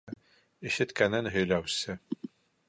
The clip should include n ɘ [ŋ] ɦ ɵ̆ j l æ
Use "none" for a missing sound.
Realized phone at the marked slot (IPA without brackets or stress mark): n